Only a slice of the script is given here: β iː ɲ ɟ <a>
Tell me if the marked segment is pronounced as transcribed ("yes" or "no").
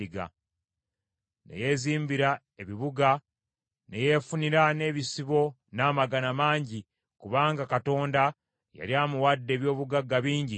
no